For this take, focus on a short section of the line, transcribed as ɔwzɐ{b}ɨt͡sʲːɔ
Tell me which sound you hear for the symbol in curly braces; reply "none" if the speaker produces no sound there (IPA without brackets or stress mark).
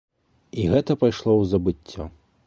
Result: b